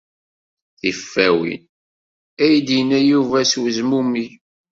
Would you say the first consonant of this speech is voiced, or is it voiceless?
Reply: voiceless